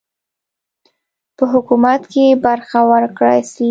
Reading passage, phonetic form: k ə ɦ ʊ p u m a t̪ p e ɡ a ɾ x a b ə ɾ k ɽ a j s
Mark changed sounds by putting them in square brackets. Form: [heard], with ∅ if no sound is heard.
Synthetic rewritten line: [p] ə ɦ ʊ [k] u m a t̪ [k] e [b] a ɾ x a [w] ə ɾ k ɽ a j s